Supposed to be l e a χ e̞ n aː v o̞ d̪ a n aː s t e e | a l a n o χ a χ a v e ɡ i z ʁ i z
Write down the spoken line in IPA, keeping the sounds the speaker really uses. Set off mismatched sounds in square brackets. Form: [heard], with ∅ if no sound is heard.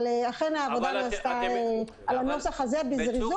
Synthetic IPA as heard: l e a χ e̞ n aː v o̞ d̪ a n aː s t [a] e | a l a n o [s] a χ a [z] e [b] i z ʁ i z